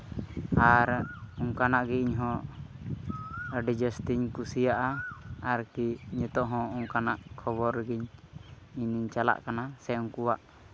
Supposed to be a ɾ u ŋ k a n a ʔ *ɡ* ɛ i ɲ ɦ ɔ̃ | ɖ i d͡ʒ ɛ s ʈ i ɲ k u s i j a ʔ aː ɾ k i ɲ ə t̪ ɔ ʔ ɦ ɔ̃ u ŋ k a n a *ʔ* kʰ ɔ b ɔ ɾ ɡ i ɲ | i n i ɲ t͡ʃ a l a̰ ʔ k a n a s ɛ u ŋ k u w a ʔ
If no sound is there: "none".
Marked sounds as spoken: ɡ, ʔ

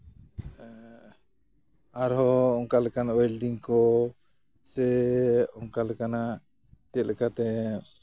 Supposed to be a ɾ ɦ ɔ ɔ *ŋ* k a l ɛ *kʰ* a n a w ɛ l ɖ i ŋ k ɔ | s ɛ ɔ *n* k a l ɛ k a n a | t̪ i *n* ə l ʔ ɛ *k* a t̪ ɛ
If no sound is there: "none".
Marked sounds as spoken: ŋ, k, ŋ, none, k

